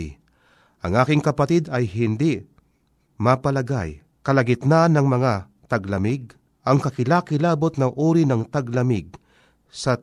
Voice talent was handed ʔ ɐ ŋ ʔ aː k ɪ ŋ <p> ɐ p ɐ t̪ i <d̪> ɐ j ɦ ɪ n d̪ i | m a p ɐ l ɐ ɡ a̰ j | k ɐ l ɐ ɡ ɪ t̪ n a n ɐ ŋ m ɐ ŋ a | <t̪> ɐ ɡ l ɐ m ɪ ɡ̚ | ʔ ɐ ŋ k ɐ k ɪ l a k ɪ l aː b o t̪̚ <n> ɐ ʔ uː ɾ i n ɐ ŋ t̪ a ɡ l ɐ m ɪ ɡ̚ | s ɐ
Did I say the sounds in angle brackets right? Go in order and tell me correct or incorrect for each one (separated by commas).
incorrect, correct, correct, correct